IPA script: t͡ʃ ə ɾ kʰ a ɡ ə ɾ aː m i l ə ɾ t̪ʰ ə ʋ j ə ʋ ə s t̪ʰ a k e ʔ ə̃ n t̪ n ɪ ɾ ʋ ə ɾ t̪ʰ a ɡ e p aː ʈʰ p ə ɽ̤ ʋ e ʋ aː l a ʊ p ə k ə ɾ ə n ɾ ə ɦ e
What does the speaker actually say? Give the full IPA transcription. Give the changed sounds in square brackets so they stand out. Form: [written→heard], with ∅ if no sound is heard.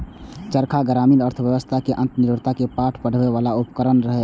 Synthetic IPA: t͡ʃ ə ɾ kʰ a ɡ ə ɾ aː m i l ə ɾ t̪ʰ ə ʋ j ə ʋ ə s t̪ʰ a k e ʔ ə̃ n t̪ n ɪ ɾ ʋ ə ɾ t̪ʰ a [ɡ→k] e p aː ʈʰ p ə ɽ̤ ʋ e ʋ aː l a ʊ p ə k ə ɾ ə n ɾ ə ɦ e